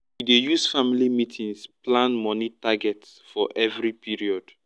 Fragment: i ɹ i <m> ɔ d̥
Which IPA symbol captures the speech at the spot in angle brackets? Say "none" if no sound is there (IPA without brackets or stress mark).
none